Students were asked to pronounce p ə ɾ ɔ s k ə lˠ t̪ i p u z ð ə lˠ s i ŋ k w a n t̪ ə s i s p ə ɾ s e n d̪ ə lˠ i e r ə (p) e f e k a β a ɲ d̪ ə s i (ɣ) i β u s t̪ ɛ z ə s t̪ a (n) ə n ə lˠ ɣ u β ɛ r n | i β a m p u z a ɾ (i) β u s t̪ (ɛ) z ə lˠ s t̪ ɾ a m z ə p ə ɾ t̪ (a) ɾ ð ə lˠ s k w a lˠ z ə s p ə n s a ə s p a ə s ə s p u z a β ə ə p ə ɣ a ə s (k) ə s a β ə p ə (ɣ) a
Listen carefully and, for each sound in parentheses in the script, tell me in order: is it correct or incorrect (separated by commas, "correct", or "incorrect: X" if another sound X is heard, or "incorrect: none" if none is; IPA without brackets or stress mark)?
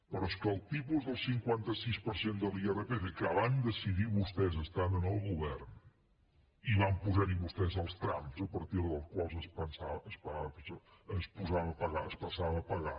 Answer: correct, incorrect: ð, correct, correct, correct, incorrect: i, incorrect: p, correct